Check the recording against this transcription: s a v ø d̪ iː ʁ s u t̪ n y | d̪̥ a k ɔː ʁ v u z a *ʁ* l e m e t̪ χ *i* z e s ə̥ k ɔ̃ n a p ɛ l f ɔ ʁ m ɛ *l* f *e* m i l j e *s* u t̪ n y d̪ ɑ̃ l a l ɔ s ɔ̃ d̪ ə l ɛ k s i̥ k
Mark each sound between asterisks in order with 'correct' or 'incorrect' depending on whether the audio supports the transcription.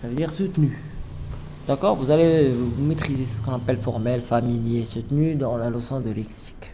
incorrect: none, correct, correct, incorrect: a, correct

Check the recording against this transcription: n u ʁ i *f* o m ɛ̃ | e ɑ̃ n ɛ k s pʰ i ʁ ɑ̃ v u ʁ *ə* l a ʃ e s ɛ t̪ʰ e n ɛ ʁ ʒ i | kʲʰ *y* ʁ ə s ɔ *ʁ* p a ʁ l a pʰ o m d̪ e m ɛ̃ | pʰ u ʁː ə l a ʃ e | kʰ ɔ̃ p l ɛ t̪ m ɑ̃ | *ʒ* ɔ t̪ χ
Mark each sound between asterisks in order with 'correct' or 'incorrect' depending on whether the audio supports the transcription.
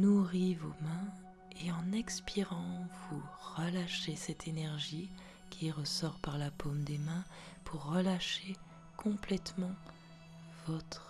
incorrect: v, correct, incorrect: i, correct, incorrect: v

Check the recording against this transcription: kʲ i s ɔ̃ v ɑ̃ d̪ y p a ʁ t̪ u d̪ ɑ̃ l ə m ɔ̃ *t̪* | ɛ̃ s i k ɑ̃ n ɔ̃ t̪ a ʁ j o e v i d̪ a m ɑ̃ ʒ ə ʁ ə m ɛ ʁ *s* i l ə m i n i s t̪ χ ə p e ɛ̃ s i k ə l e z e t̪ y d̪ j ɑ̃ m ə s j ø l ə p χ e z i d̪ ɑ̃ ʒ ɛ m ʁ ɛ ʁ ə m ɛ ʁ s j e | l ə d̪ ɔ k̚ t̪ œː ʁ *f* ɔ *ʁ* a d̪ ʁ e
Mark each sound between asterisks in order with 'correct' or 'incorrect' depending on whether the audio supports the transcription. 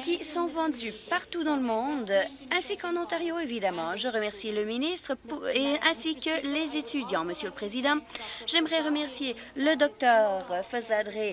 incorrect: d̪, correct, correct, incorrect: z

